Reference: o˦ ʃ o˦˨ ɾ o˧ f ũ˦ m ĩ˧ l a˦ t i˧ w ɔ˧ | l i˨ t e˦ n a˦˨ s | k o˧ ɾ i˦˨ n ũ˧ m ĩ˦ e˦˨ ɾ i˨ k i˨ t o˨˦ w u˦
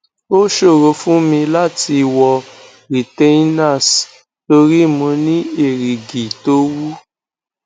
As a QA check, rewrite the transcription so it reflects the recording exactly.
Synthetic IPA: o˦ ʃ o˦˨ ɾ o˧ f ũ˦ m ĩ˧ l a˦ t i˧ w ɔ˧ | ɾ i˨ t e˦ n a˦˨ s | t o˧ ɾ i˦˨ m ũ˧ n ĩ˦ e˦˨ ɾ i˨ ɡ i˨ t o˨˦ w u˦